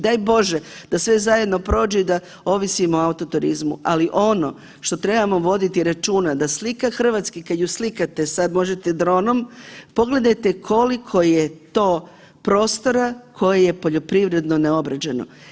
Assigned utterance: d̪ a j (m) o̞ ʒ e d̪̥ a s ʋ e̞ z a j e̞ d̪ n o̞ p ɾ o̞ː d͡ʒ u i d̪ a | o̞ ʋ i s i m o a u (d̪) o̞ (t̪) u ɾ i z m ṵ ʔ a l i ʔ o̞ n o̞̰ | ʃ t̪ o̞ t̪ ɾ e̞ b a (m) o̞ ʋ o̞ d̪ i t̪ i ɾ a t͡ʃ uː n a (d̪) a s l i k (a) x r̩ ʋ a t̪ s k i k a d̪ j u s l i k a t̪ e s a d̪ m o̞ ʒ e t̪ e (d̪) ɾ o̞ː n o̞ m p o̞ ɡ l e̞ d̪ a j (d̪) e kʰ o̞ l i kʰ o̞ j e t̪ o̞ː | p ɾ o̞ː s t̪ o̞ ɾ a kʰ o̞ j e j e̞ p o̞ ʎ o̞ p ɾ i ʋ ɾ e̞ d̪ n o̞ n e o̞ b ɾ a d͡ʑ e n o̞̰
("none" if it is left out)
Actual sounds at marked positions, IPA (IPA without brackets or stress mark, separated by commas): b, t̪, t̪, m, d̪, a, d̪, t̪